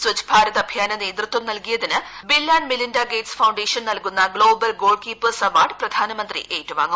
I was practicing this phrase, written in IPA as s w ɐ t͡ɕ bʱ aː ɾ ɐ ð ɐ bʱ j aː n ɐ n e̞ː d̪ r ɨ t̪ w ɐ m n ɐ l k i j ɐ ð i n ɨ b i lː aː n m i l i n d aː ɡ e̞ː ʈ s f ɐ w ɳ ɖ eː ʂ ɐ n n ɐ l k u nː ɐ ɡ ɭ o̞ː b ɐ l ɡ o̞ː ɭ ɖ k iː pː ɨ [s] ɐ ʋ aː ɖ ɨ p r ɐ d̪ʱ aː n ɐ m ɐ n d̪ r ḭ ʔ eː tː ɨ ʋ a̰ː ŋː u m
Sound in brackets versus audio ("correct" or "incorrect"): correct